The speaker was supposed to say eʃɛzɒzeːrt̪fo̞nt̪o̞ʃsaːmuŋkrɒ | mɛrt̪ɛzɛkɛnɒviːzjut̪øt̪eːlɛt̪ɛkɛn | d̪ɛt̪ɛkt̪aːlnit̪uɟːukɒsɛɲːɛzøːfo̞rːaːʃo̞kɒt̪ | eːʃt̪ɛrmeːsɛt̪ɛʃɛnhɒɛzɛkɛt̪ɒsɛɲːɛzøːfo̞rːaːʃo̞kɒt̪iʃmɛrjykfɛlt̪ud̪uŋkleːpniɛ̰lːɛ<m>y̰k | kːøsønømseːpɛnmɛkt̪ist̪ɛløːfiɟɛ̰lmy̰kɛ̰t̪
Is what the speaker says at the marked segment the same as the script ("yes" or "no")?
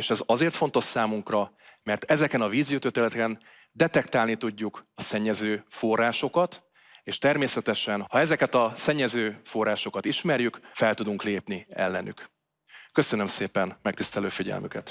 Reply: no